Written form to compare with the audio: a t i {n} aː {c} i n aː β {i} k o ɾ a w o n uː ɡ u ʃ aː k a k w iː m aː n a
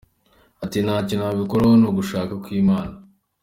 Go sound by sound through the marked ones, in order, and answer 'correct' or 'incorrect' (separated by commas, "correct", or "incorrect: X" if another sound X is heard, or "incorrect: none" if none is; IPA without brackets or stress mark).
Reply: correct, correct, correct